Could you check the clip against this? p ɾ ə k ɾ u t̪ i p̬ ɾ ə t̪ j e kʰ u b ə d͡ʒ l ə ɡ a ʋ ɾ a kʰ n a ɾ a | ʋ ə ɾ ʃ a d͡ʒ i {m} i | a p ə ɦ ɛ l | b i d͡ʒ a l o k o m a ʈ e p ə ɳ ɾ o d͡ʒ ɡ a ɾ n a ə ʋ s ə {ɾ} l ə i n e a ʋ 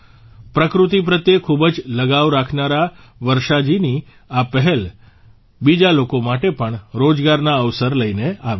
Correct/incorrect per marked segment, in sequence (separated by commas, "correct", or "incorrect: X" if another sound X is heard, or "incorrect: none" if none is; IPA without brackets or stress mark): incorrect: n, correct